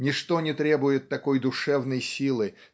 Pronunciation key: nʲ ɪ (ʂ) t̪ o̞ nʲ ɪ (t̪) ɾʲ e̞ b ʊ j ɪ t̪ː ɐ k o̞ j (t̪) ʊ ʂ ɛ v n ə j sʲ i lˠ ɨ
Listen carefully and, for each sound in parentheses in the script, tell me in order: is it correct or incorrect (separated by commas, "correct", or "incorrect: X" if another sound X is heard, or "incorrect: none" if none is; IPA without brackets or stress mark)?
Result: correct, correct, incorrect: d̪